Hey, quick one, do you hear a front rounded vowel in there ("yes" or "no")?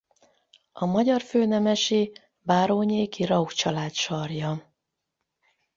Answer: yes